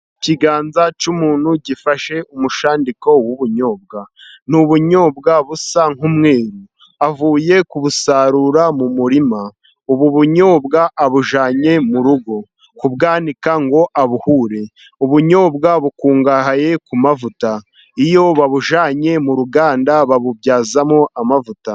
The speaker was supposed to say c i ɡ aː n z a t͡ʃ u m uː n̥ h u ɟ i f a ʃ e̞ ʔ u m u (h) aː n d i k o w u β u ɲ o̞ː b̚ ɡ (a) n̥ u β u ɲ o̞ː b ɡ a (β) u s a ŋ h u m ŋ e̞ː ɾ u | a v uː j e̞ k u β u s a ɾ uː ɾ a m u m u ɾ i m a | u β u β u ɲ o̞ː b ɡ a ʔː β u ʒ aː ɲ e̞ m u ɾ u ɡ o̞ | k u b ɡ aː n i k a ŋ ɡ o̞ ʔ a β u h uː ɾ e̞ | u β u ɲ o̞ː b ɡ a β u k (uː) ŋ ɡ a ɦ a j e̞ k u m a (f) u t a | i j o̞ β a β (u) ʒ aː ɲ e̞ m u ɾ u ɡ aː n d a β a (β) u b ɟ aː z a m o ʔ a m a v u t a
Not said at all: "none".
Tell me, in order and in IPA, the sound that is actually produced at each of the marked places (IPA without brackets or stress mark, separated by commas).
ʃ, a, β, uː, v, u, β